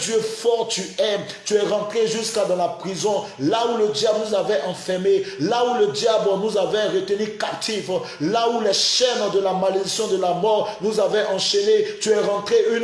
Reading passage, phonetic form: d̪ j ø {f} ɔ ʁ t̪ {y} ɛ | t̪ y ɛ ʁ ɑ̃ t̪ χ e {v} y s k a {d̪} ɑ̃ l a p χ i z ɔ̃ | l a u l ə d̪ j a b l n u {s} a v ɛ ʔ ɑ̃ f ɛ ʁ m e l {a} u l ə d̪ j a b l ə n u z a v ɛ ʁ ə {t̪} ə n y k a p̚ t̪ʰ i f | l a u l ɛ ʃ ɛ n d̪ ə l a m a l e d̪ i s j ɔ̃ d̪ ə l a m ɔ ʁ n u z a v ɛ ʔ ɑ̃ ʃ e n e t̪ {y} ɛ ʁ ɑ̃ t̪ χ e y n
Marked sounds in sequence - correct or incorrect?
correct, correct, incorrect: ʒ, correct, incorrect: z, correct, correct, correct

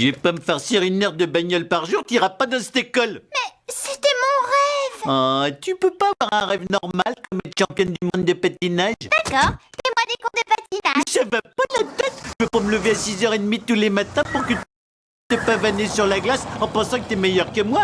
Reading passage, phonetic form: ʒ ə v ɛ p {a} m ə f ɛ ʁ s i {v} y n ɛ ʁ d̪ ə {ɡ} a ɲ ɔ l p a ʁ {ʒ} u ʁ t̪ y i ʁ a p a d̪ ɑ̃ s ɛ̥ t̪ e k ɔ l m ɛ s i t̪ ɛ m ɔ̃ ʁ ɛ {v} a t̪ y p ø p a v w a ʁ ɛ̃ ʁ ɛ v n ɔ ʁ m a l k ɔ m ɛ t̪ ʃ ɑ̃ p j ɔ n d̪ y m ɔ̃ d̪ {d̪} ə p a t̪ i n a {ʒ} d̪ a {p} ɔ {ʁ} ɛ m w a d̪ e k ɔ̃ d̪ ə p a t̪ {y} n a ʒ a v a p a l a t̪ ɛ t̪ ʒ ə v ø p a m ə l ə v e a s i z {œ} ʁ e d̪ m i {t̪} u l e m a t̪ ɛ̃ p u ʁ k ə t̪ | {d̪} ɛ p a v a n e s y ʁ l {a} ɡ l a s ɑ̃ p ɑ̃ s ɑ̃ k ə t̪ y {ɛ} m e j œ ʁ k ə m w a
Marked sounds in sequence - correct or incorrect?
correct, incorrect: ʁ, incorrect: b, correct, correct, correct, correct, incorrect: k, correct, incorrect: i, correct, correct, incorrect: t̪, correct, correct

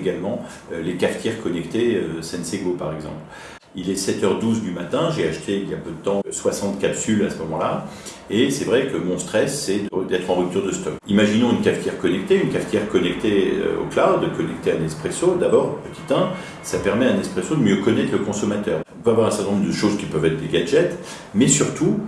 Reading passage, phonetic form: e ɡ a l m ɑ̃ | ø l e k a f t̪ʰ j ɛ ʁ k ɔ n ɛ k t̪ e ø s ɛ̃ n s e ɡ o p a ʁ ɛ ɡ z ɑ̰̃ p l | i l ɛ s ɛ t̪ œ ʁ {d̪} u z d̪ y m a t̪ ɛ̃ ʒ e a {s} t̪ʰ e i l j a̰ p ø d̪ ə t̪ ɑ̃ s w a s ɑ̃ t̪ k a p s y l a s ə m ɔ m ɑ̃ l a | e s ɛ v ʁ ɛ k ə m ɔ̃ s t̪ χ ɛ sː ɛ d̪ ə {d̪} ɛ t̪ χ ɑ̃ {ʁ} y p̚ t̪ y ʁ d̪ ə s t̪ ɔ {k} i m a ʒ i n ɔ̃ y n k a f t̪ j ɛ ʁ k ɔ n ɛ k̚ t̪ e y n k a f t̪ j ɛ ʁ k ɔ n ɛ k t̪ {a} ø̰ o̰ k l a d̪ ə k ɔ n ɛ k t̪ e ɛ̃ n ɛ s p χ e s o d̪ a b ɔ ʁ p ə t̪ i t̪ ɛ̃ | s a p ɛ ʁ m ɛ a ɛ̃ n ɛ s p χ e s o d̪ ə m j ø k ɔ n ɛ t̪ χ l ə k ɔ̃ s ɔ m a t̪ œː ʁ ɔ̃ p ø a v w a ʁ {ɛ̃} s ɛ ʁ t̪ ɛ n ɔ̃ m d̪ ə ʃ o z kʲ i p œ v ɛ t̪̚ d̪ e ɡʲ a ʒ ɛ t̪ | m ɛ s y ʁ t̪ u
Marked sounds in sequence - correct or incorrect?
correct, incorrect: ʃ, correct, correct, correct, incorrect: e, correct

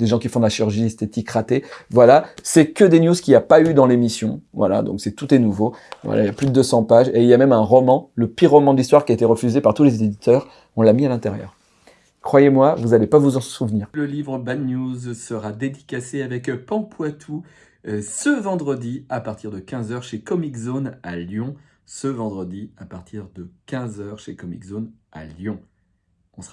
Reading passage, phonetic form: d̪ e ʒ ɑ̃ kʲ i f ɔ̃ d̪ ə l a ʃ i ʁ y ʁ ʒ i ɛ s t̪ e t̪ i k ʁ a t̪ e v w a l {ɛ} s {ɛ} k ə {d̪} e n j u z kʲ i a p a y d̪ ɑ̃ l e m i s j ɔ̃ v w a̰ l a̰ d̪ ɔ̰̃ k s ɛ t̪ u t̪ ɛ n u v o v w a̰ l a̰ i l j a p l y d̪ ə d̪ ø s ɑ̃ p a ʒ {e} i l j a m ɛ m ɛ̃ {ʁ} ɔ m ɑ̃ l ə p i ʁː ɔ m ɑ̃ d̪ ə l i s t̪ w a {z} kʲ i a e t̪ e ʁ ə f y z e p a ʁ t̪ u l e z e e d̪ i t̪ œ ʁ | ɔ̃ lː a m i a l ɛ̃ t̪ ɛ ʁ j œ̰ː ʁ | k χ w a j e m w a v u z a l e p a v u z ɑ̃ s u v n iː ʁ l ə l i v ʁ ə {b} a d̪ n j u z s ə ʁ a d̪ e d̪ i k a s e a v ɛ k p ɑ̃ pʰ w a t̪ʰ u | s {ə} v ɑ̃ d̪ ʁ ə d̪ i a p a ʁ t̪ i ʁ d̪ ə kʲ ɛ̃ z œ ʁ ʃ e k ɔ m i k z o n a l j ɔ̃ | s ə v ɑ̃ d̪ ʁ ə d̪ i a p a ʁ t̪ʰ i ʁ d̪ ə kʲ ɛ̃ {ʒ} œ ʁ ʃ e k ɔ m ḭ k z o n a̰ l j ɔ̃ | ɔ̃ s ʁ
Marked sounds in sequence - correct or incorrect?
incorrect: a, correct, correct, correct, correct, incorrect: ʁ, correct, correct, incorrect: z

